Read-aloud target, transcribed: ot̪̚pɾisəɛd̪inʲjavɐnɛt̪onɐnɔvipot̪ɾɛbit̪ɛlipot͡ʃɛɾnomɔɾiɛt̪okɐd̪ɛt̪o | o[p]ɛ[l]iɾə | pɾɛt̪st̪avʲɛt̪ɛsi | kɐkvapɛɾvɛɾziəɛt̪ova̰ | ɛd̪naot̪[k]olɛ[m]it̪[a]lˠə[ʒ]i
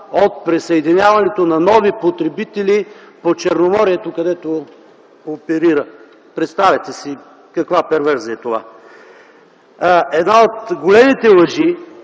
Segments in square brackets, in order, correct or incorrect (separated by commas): correct, incorrect, incorrect, correct, incorrect, correct